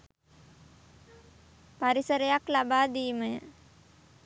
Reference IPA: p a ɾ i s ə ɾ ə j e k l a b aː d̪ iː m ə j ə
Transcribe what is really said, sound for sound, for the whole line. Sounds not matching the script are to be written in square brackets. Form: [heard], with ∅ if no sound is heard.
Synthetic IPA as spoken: p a ɾ i s ə ɾ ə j [a] k l a b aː d̪ iː m ə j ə